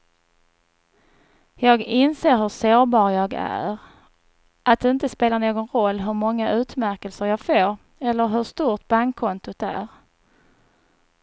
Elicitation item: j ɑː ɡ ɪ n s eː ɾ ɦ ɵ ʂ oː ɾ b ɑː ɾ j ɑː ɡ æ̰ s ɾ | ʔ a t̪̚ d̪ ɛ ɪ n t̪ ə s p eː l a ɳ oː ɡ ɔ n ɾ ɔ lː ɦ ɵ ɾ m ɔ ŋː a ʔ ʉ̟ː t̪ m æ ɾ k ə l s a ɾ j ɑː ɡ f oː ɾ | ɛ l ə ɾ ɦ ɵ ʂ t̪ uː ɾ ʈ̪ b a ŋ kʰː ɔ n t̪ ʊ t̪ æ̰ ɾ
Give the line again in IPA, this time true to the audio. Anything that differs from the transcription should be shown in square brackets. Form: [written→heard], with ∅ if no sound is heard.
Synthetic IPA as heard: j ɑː ɡ ɪ n s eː ɾ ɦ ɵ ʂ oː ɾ b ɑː ɾ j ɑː ɡ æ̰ [s→∅] ɾ | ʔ a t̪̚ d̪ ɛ ɪ n t̪ ə s p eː l a ɳ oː ɡ ɔ n ɾ ɔ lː ɦ ɵ ɾ m ɔ ŋː a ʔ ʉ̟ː t̪ m æ ɾ k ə l s [a→ə] ɾ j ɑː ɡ f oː ɾ | ɛ [l→lː] ə ɾ ɦ ɵ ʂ t̪ uː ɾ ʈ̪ b a ŋ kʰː ɔ n t̪ ʊ t̪ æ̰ ɾ

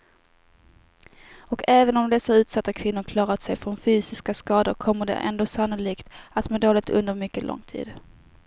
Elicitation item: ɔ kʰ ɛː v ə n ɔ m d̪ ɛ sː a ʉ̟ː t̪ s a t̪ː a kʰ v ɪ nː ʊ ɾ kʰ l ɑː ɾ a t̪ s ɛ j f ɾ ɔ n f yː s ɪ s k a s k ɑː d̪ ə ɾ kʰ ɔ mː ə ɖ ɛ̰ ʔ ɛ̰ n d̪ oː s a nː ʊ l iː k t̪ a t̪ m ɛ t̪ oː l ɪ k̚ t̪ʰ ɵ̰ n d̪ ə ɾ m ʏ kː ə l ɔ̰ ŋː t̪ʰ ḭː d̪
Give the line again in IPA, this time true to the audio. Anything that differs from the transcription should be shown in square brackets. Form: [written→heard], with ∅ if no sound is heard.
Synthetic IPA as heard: ɔ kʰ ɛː v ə n ɔ m d̪ ɛ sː a ʉ̟ː t̪ s a t̪ː a kʰ v ɪ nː ʊ ɾ kʰ l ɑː ɾ a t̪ s ɛ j f ɾ ɔ n f yː s ɪ s k a s k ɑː d̪ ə ɾ kʰ ɔ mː ə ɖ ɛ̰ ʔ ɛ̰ n d̪ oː s a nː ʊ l iː k t̪ a t̪ m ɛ [t̪→d̪] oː l ɪ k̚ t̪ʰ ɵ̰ n d̪ ə ɾ m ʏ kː ə l ɔ̰ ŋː t̪ʰ ḭː d̪

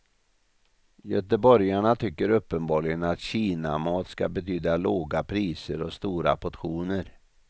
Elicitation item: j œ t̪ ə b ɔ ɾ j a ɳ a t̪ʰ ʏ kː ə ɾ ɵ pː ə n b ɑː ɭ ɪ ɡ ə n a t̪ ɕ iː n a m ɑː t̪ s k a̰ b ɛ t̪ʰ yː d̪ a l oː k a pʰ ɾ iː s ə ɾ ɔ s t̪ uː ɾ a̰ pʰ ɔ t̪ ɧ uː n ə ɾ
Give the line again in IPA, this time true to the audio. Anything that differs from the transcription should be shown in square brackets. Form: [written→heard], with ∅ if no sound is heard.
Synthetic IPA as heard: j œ t̪ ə b ɔ ɾ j a ɳ a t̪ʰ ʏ kː ə ɾ ɵ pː ə n b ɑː ɭ ɪ ɡ ə n a t̪ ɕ iː n a m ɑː t̪ s k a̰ b ɛ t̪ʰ yː d̪ a l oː [k→ɡ] a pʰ ɾ iː s ə ɾ ɔ s t̪ uː ɾ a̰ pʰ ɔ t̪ ɧ uː n ə ɾ

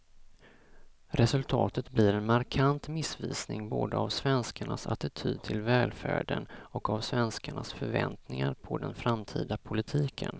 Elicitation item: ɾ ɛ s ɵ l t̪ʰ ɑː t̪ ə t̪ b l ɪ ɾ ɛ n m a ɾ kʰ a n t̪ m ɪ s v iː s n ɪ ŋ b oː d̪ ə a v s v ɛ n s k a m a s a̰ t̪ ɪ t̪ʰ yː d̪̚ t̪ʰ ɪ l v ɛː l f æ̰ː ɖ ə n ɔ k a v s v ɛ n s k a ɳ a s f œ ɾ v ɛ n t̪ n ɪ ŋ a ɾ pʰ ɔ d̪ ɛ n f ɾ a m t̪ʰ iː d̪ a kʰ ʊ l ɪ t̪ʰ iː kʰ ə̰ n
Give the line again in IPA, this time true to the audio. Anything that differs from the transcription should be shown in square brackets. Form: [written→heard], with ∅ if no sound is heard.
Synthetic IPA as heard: ɾ ɛ s ɵ l t̪ʰ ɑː t̪ ə t̪ b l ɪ ɾ ɛ n m a ɾ kʰ a n t̪ m ɪ s v iː s n ɪ ŋ b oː d̪ ə a v s v ɛ n s k a [m→ɳ] a s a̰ t̪ ɪ t̪ʰ yː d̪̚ t̪ʰ ɪ l v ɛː l f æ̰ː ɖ ə n ɔ k a v s v ɛ n s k a ɳ a s f œ ɾ v ɛ n t̪ n ɪ ŋ a ɾ pʰ ɔ d̪ ɛ n f ɾ a m t̪ʰ iː d̪ a [kʰ→pʰ] ʊ l ɪ t̪ʰ iː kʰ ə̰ n

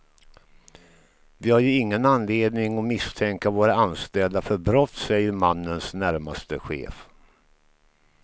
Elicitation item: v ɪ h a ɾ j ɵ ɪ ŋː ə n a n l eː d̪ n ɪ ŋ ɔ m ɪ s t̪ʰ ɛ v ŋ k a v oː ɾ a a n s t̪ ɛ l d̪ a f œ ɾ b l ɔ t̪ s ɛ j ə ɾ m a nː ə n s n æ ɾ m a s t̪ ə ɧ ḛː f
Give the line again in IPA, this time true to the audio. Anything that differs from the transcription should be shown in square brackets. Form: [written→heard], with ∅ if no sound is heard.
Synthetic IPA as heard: v ɪ h a ɾ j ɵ ɪ ŋː ə n a n l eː d̪ n ɪ ŋ ɔ m ɪ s t̪ʰ ɛ [v→∅] ŋ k a v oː ɾ a a n s t̪ ɛ l d̪ a f œ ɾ b [l→ɾ] ɔ t̪ s ɛ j ə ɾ m a nː ə n s n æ ɾ m a s t̪ ə ɧ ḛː f

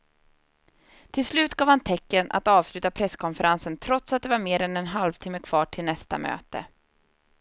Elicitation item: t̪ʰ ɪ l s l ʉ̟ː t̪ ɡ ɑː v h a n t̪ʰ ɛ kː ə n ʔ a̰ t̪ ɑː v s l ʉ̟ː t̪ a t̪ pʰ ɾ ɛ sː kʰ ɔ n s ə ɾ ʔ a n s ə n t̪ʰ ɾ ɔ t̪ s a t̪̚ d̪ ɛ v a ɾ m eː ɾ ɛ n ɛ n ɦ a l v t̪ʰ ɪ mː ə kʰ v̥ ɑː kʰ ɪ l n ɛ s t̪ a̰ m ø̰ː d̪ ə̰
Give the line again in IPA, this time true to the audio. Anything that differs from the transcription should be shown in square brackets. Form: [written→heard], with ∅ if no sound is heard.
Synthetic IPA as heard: t̪ʰ ɪ l s l ʉ̟ː t̪ ɡ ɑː v h a n t̪ʰ ɛ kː ə n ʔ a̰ t̪ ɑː v s l ʉ̟ː t̪ a [t̪→∅] pʰ ɾ ɛ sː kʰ ɔ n [s→f] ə ɾ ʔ a n s ə n t̪ʰ ɾ ɔ t̪ s a t̪̚ d̪ ɛ v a ɾ m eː ɾ ɛ n ɛ n ɦ a l v t̪ʰ ɪ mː ə kʰ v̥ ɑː [kʰ→ʈʰ] ɪ l n ɛ s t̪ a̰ m ø̰ː [d̪→t̪] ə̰

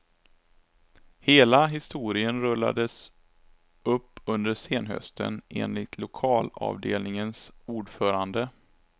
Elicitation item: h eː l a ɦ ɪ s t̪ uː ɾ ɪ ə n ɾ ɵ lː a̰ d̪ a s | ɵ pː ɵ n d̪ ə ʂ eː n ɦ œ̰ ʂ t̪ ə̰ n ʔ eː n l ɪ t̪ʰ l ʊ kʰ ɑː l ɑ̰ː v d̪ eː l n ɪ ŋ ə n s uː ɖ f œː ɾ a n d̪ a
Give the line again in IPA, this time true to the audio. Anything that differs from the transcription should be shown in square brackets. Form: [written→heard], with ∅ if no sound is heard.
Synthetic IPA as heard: h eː l a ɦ ɪ s t̪ uː ɾ ɪ ə n ɾ ɵ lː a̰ d̪ [a→ə] s | ɵ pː ɵ n d̪ ə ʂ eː n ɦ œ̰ [ʂ→s] t̪ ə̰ n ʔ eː n l ɪ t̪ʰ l ʊ kʰ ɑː l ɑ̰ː v d̪ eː l n ɪ ŋ ə n s uː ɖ f œː ɾ a n d̪ [a→ə]

